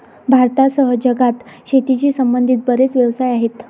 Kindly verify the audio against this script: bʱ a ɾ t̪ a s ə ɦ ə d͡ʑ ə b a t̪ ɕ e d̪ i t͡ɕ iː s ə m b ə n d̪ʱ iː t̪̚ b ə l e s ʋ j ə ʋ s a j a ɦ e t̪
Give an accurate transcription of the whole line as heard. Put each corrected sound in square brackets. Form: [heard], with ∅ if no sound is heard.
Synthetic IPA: bʱ a ɾ t̪ a s ə ɦ ə d͡ʑ ə [ɡ] a t̪ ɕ e [t̪] i t͡ɕ iː s ə m b ə n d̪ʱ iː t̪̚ b ə [ɾ] e [t͡s] ʋ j ə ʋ s a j a ɦ e t̪